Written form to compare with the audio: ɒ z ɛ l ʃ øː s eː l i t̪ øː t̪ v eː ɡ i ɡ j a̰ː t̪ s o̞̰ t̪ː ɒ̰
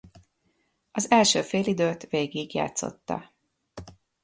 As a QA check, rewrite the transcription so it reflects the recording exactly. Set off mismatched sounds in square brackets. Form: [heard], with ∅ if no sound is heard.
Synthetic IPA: ɒ z ɛ l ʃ øː [f] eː l i [d̪] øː t̪ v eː ɡ i ɡ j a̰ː t̪ s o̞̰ t̪ː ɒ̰

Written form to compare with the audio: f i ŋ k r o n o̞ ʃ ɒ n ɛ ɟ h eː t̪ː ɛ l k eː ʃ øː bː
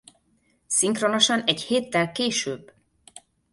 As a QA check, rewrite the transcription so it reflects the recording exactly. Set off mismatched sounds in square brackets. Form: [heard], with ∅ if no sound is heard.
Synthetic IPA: [s] i ŋ k r o n o̞ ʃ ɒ n ɛ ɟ h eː t̪ː ɛ l k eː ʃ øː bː

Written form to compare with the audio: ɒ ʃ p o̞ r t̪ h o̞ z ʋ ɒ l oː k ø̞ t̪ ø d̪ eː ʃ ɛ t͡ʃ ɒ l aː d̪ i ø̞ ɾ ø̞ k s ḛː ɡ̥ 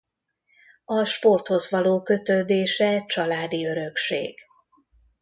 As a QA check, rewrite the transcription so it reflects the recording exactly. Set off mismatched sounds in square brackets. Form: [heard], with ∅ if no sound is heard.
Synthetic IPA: ɒ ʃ p o̞ r t̪ h o̞ z ʋ ɒ l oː k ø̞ t̪ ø d̪ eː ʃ ɛ t͡ʃ ɒ l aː d̪ i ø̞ ɾ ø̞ k [ʃ] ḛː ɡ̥

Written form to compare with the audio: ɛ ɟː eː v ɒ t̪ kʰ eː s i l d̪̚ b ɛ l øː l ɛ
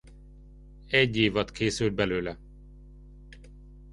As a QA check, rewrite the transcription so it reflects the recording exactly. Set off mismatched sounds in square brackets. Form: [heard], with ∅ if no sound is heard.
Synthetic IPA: ɛ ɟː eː v ɒ t̪ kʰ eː s [y] l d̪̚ b ɛ l øː l ɛ

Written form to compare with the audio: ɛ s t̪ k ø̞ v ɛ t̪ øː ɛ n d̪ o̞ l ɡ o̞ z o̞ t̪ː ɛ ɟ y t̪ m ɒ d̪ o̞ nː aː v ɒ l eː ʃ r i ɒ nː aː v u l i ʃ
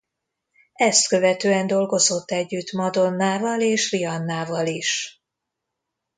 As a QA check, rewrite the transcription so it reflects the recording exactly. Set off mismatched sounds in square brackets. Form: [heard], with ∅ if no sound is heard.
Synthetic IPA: ɛ s t̪ k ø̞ v ɛ t̪ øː ɛ n d̪ o̞ l ɡ o̞ z o̞ t̪ː ɛ [ɟː] y t̪ m ɒ d̪ o̞ nː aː v ɒ l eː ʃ r i ɒ nː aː v [ɒ] l i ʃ

